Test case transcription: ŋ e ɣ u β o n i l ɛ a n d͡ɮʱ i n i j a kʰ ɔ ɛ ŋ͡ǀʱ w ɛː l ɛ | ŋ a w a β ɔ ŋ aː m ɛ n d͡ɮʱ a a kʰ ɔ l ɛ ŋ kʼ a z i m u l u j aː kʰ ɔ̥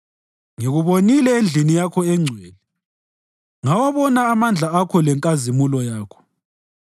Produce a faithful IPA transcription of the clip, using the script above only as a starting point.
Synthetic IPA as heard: ŋ e ɣ u β o n i l ɛ e n d͡ɮʱ i n i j a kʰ ɔ ɛ ŋ͡ǀʱ w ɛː l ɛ | ŋ a w a β ɔ n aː m a n d͡ɮʱ a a kʰ ɔ l ɛ ŋ kʼ a z i m u l ɔ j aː kʰ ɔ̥